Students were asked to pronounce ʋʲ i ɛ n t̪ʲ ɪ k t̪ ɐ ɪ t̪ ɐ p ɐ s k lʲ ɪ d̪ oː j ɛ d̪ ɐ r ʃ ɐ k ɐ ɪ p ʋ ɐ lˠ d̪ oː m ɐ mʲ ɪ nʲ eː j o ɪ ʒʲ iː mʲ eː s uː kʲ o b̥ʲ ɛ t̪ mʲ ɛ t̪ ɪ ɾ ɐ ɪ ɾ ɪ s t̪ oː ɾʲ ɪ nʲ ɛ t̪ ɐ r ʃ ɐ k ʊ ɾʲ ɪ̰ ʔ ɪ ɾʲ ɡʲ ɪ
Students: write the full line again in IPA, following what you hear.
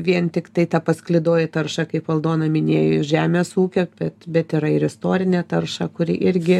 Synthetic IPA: ʋʲ i ɛ n t̪ʲ ɪ k t̪ ɐ ɪ t̪ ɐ p ɐ s k lʲ ɪ d̪ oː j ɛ t̪ ɐ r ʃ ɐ k ɐ ɪ p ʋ ɐ lˠ d̪ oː n ɐ mʲ ɪ nʲ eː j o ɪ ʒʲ æː mʲ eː s uː kʲ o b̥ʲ ɛ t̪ bʲ ɛ t̪ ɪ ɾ ɐ ɪ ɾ ɪ s t̪ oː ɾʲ ɪ nʲ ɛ t̪ ɐ r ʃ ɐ k ʊ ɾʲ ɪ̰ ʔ ɪ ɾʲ ɡʲ ɪ